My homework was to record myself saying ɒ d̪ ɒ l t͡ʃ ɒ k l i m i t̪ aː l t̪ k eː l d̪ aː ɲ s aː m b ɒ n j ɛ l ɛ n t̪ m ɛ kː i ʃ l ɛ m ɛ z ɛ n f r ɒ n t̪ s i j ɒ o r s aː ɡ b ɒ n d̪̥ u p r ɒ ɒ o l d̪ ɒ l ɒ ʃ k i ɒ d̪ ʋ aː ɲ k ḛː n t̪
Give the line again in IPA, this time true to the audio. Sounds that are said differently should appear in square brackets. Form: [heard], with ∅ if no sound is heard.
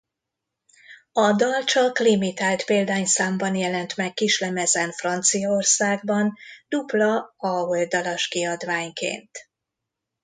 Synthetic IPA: ɒ d̪ ɒ l t͡ʃ ɒ k l i m i t̪ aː l t̪ [p] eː l d̪ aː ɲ s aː m b ɒ n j ɛ l ɛ n t̪ m ɛ kː i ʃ l ɛ m ɛ z ɛ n f r ɒ n t̪ s i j ɒ o r s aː ɡ b ɒ n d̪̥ u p [l] ɒ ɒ o l d̪ ɒ l ɒ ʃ k i ɒ d̪ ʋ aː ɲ k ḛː n t̪